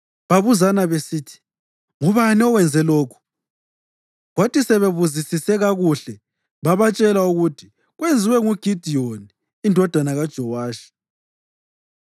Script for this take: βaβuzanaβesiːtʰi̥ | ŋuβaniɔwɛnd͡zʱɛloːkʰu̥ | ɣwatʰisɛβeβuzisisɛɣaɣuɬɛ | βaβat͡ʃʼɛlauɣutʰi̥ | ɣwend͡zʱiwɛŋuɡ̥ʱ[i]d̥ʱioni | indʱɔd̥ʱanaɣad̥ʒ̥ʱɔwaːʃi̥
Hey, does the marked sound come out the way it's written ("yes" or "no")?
yes